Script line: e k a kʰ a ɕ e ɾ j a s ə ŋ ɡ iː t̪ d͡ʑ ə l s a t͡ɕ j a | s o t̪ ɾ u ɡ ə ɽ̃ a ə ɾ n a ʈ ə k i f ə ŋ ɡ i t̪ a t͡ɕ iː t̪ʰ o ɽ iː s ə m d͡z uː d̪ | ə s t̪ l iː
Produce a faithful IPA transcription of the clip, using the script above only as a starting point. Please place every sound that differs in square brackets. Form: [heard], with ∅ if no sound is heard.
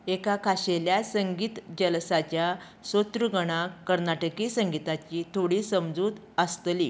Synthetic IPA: e k a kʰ a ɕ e [l] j a s ə ŋ ɡ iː t̪ d͡ʑ ə l s a t͡ɕ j a | s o t̪ ɾ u ɡ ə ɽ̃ a ə ɾ n a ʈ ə k i [s] ə ŋ ɡ i t̪ a t͡ɕ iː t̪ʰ o ɽ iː s ə m d͡z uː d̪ | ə s t̪ l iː